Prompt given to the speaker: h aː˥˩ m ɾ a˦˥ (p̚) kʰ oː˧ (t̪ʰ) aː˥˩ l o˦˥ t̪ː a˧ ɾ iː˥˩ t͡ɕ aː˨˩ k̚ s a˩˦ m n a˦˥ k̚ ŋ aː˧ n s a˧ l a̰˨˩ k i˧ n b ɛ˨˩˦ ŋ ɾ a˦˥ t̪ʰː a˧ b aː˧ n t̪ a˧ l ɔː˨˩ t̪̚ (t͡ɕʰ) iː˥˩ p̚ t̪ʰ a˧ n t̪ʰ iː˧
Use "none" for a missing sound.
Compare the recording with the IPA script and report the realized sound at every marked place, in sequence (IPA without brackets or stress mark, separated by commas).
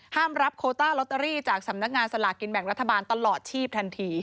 p̚, t̪, t͡ɕʰ